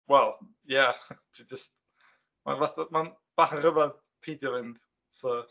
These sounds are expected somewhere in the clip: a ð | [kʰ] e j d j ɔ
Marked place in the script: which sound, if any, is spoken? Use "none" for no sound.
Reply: pʰ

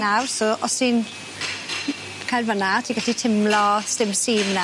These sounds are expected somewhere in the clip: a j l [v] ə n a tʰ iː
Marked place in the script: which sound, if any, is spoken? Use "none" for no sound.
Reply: v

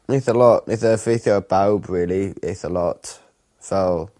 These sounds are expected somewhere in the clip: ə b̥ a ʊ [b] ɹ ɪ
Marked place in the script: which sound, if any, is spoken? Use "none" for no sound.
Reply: b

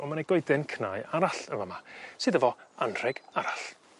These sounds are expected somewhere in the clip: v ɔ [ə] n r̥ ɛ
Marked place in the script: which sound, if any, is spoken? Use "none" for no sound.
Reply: a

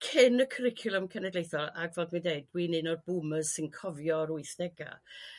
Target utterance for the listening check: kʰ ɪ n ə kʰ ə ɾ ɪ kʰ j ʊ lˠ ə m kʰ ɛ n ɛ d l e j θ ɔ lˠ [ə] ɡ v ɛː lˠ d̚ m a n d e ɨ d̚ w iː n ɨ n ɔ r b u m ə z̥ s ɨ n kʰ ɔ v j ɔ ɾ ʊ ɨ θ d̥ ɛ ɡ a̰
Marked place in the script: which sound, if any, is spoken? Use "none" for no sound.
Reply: a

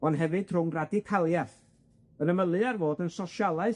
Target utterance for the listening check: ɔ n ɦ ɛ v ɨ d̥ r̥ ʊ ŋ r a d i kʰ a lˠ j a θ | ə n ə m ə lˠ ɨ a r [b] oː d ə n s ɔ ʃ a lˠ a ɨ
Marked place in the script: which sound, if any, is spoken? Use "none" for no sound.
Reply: v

